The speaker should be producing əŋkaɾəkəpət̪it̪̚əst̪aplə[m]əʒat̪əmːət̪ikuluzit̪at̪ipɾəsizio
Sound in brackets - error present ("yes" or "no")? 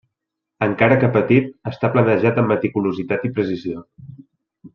yes